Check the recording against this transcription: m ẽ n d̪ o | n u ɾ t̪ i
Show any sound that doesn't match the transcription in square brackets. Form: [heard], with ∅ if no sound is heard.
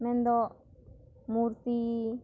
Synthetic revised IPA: m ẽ n d̪ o | [m] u ɾ t̪ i